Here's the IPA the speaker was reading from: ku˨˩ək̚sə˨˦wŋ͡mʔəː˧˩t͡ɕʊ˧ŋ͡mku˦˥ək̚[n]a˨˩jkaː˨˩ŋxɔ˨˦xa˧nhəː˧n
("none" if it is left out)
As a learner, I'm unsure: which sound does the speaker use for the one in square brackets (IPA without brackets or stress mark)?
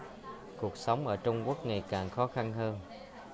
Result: ŋ